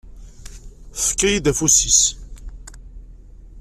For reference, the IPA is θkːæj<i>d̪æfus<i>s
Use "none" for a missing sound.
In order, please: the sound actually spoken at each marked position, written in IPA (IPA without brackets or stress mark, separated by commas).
i, i